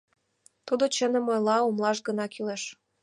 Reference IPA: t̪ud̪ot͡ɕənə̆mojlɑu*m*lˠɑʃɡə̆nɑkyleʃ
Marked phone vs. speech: correct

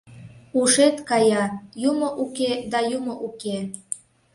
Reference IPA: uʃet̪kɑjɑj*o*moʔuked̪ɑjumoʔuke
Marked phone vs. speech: incorrect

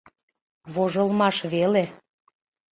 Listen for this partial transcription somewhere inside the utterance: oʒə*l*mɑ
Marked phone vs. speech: correct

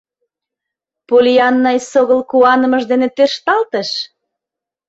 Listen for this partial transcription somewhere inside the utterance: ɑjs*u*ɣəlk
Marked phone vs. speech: incorrect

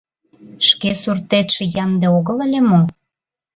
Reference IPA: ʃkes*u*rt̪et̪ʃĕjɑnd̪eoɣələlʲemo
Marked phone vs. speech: correct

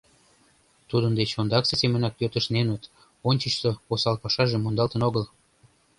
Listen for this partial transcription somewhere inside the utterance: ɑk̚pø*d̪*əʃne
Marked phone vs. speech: incorrect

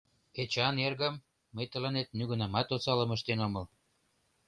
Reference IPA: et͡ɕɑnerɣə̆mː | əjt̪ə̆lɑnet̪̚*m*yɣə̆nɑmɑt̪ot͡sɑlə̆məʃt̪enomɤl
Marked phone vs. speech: incorrect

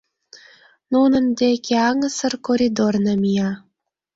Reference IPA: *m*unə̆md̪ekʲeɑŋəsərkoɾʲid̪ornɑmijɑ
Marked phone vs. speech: incorrect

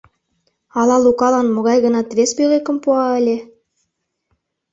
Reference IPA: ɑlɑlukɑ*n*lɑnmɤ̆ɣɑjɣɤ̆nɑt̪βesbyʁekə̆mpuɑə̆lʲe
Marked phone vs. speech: incorrect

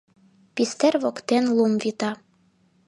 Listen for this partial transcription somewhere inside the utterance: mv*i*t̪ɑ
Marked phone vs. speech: correct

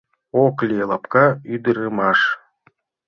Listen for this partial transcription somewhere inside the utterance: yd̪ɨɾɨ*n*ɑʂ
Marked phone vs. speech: incorrect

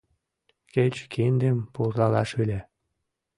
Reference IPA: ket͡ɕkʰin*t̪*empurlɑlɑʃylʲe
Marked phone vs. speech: incorrect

